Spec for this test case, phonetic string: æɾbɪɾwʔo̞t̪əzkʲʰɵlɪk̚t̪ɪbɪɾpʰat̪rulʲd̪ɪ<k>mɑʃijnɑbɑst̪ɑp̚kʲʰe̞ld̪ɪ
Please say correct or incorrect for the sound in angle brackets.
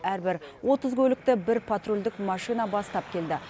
correct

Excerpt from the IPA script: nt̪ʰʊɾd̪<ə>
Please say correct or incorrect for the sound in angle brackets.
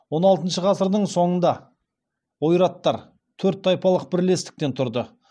correct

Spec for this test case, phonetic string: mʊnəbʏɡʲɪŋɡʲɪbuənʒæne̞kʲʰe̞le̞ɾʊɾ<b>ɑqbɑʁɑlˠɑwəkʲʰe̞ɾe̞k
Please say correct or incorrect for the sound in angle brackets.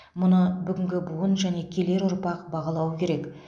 incorrect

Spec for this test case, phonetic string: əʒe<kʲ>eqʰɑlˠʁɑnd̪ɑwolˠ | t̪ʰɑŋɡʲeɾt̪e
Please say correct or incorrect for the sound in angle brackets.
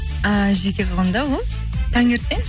correct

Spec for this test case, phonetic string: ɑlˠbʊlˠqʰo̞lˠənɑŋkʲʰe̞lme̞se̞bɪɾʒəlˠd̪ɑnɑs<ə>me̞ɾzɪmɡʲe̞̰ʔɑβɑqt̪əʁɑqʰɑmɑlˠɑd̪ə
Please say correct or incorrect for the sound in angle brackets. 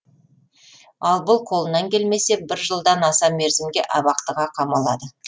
incorrect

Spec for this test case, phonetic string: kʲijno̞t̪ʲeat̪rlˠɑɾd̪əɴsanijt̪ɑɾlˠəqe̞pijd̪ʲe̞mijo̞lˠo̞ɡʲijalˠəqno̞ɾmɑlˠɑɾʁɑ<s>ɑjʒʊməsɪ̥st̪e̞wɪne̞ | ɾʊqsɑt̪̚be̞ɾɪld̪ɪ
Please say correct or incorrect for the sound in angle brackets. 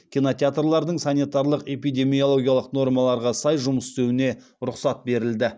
correct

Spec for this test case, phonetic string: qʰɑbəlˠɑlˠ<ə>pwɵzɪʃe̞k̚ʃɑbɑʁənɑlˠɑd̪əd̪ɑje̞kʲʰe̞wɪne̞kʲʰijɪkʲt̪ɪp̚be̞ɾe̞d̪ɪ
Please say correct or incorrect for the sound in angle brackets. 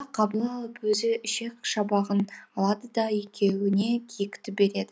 correct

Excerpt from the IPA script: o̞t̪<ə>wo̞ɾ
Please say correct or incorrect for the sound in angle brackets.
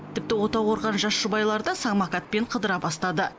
incorrect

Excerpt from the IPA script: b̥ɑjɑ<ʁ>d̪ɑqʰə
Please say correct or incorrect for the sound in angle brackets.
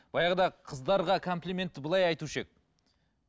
correct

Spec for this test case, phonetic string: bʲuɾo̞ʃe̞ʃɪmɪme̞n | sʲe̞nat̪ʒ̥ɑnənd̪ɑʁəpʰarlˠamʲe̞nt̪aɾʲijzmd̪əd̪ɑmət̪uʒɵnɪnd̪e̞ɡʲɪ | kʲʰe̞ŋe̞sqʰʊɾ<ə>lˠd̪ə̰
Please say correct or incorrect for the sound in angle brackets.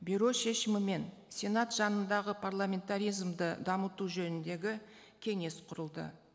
correct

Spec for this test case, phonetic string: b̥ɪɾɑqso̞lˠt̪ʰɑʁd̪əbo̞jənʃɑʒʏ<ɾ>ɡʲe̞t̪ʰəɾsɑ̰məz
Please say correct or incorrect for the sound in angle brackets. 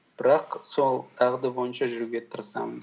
correct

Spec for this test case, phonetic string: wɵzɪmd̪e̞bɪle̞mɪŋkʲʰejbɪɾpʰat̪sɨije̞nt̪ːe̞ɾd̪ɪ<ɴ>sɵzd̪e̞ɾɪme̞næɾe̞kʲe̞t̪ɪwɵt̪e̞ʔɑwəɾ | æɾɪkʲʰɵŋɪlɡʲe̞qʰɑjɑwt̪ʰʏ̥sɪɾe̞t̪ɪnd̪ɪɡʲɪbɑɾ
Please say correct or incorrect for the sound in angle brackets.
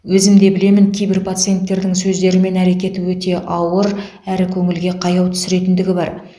incorrect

